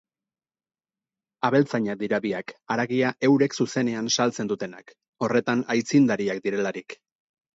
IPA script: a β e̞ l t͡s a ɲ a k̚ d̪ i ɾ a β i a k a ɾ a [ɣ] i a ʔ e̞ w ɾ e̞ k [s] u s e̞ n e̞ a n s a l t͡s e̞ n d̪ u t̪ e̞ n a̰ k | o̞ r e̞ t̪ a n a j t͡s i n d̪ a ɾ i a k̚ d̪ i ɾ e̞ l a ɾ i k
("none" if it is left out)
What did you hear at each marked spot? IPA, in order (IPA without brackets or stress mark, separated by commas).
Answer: ɣ, s